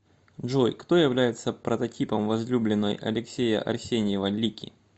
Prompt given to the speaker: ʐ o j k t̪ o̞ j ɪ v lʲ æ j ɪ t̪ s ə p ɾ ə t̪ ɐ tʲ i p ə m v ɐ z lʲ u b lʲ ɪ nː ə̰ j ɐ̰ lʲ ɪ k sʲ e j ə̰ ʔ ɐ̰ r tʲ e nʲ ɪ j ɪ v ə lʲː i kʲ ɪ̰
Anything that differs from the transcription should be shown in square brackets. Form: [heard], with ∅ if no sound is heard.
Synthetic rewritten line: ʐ o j k t̪ o̞ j ɪ v lʲ æ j ɪ t̪ s ə p ɾ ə t̪ ɐ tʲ i p ə m v ɐ z lʲ u b lʲ ɪ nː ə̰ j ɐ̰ lʲ ɪ k sʲ e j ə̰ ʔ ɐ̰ r [sʲ] e nʲ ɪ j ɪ v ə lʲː i kʲ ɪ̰